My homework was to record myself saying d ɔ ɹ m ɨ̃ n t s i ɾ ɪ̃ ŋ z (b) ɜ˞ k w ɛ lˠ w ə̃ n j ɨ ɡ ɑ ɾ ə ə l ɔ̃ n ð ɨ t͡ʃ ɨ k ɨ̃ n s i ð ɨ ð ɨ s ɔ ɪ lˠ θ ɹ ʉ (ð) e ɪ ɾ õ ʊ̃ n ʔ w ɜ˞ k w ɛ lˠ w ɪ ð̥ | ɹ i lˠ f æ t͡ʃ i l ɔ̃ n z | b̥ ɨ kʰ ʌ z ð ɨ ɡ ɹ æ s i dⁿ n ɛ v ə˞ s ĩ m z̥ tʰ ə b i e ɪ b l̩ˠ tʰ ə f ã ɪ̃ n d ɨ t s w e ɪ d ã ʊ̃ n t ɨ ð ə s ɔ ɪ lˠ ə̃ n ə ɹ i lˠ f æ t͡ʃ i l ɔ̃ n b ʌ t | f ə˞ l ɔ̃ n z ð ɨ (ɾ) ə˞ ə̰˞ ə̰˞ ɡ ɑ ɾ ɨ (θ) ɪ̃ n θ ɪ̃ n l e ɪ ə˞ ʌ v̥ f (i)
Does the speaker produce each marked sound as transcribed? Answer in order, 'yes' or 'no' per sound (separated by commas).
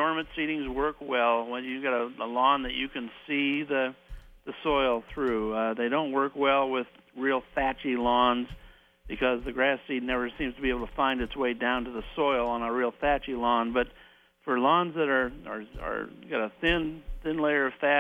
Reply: no, yes, yes, yes, no